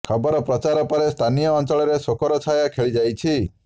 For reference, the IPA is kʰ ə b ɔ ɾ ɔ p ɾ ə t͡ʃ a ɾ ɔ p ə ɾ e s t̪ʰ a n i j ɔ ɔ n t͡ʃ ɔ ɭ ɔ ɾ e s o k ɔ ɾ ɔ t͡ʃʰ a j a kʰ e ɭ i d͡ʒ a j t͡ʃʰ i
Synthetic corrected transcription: kʰ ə b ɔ ɾ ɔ p ɾ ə t͡ʃ a ɾ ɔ p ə ɾ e s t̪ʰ a n i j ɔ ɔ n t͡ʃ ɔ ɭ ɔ ɾ e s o k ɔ ɾ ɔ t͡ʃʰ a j a kʰ e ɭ i d͡ʒ a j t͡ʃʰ i